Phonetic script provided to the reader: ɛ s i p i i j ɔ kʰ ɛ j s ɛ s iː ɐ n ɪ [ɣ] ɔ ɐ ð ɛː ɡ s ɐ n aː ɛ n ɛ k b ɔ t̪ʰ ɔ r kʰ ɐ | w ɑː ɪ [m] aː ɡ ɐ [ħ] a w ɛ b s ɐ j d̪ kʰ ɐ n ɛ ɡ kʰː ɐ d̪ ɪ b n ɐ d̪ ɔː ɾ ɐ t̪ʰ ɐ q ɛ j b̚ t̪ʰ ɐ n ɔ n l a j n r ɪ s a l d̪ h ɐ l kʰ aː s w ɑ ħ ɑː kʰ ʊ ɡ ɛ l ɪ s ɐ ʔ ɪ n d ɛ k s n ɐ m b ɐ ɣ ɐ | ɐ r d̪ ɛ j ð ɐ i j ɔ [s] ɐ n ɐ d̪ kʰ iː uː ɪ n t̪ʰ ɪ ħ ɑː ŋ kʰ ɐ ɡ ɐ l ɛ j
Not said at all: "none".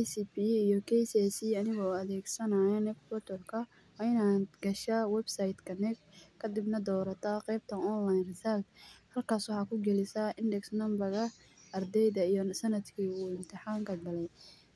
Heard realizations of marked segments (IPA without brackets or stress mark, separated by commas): ɣ, n, ʃ, s